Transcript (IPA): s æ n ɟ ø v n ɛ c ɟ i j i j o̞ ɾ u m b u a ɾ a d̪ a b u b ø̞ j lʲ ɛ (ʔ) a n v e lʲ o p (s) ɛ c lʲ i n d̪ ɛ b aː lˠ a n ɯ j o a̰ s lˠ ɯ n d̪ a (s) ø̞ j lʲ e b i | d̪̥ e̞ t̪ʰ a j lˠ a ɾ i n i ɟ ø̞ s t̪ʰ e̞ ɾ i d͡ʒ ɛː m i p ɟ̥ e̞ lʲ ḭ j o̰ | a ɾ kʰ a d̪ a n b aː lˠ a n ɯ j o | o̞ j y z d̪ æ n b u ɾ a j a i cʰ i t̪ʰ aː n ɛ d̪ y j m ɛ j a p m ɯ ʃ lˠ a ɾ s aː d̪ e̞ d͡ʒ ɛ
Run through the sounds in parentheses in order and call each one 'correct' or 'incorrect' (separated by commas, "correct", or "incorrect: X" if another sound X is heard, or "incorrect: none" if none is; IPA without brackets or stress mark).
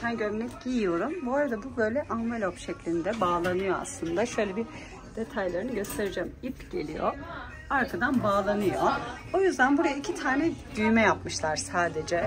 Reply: correct, incorrect: ʃ, incorrect: ʃ